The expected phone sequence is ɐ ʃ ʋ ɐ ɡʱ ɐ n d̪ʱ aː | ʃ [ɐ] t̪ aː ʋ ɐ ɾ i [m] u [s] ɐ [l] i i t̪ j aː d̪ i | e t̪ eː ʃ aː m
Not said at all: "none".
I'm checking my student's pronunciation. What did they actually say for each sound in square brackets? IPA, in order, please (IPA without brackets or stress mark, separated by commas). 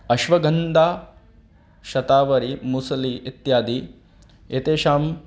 ɐ, m, s, l